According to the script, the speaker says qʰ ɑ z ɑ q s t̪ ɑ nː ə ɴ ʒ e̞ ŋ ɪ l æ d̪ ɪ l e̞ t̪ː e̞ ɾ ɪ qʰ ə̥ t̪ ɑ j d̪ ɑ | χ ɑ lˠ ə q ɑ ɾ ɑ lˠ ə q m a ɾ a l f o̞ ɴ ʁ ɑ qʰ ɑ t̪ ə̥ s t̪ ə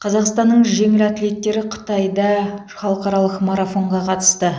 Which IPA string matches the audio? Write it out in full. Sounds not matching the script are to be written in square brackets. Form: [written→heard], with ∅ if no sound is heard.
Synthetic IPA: qʰ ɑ z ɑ q s t̪ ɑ nː ə ɴ ʒ e̞ ŋ ɪ l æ [d̪→t̪] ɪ l e̞ t̪ː e̞ ɾ ɪ qʰ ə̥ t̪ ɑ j d̪ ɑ | χ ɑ lˠ ə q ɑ ɾ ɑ lˠ ə q m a ɾ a [l→∅] f o̞ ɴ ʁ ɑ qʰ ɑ t̪ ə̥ s t̪ ə